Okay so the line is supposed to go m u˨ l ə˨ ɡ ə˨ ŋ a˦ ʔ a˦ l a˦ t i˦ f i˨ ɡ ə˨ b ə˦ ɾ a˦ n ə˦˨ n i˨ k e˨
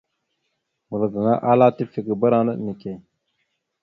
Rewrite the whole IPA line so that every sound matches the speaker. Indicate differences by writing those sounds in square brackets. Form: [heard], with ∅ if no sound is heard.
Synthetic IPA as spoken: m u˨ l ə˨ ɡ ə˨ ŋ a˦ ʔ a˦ l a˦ t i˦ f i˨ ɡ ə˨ b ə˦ ɾ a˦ n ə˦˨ n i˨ k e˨